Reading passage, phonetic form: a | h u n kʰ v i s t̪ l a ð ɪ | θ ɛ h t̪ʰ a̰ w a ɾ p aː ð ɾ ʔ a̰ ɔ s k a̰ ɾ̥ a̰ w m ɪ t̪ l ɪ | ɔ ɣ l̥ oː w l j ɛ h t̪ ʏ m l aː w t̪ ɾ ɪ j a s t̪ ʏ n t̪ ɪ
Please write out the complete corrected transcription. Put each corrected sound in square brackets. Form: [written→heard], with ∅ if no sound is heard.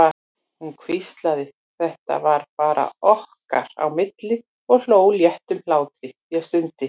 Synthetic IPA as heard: a | h u n kʰ v i s t̪ l a ð ɪ | θ ɛ h [t̪ʰ→t̪] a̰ [w→v] a ɾ p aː [ð→∅] ɾ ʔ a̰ ɔ [s→h] k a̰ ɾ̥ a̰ w m ɪ t̪ l ɪ | ɔ ɣ l̥ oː w l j ɛ h t̪ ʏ m l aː w t̪ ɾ ɪ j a s t̪ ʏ n t̪ ɪ